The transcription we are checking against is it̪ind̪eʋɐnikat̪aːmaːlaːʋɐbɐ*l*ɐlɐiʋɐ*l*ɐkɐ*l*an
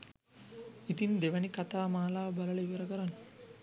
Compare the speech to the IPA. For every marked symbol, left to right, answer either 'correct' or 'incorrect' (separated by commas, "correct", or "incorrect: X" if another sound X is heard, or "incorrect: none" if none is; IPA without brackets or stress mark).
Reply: correct, incorrect: ɾ, incorrect: ɾ